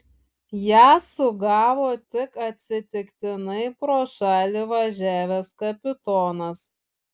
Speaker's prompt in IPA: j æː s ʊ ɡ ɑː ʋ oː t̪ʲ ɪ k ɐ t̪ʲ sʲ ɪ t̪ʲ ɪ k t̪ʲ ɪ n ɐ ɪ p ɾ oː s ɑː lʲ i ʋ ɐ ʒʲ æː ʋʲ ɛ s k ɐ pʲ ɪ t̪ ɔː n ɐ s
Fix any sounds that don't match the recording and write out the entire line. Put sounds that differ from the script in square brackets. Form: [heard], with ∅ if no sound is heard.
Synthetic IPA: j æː s ʊ ɡ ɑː ʋ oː t̪ʲ ɪ k ɐ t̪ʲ sʲ ɪ t̪ʲ ɪ k t̪ʲ ɪ n ɐ ɪ p ɾ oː [ʃ] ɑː lʲ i ʋ ɐ ʒʲ æː ʋʲ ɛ s k ɐ pʲ ɪ t̪ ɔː n ɐ s